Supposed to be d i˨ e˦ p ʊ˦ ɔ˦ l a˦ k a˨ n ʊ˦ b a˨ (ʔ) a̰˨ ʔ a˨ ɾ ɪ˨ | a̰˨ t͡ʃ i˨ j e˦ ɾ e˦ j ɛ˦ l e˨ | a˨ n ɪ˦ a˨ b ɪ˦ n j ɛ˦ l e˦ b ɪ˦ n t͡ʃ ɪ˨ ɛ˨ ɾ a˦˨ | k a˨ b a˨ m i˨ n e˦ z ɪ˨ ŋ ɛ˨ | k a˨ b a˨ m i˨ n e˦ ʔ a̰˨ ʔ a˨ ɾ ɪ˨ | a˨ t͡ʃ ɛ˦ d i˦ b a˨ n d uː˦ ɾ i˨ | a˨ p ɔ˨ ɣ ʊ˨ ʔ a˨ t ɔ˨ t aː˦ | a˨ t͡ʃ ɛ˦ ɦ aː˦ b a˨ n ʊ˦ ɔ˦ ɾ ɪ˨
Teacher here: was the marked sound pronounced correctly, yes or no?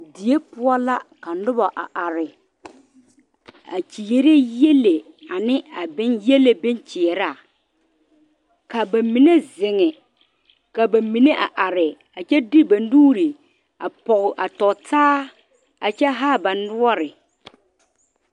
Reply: yes